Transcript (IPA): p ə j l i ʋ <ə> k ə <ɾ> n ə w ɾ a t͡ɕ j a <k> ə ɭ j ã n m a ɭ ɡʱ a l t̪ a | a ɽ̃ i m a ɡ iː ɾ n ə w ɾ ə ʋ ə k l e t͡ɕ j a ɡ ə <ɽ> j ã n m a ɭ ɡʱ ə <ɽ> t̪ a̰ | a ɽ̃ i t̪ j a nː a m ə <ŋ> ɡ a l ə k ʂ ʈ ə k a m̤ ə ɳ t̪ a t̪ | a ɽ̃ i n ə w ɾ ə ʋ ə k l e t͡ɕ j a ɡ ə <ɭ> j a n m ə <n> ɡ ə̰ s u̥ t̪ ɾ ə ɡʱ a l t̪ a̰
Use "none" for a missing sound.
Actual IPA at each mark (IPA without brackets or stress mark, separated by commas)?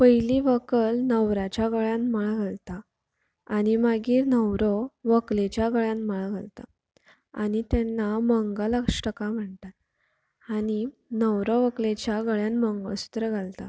ə, l, ɡ, ɭ, l, ŋ, ɭ, ŋ